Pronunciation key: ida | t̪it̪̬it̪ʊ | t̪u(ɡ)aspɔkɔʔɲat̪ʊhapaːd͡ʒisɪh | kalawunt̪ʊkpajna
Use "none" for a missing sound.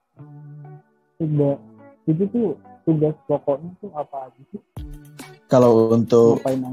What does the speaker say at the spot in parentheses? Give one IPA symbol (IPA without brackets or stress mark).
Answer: ɡ